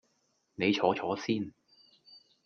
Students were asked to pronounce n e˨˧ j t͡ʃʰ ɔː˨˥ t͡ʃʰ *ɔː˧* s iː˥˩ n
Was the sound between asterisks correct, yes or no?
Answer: no